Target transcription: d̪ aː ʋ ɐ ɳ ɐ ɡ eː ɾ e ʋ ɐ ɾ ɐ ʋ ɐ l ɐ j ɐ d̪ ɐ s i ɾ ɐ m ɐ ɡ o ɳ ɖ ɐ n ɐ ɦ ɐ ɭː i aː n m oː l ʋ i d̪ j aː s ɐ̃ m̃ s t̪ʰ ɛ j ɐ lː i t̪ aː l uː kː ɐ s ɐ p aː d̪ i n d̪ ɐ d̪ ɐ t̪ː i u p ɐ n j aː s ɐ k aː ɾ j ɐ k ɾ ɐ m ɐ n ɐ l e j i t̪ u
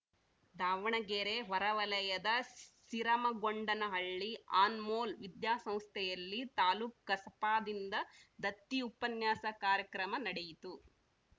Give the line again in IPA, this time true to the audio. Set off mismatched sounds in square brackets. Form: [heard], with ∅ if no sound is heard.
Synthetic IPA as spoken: d̪ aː ʋ ɐ ɳ ɐ ɡ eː ɾ e ʋ ɐ ɾ ɐ ʋ ɐ l ɐ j ɐ d̪ ɐ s i ɾ ɐ m ɐ ɡ o ɳ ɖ ɐ n ɐ ɦ ɐ ɭː i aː n m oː l ʋ i d̪ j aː s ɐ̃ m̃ s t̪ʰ ɛ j ɐ lː i t̪ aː l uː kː ɐ s ɐ p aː d̪ i n d̪ ɐ d̪ ɐ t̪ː i u p ɐ n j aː s ɐ k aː ɾ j ɐ k ɾ ɐ m ɐ n ɐ [ɽ] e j i t̪ u